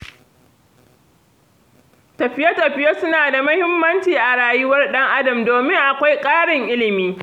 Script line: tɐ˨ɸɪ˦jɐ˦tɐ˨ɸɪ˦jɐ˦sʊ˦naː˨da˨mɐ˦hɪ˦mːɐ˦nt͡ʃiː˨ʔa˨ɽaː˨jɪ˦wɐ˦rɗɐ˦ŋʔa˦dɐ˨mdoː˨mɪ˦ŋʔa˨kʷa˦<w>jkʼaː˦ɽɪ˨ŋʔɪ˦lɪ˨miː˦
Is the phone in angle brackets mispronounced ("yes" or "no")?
yes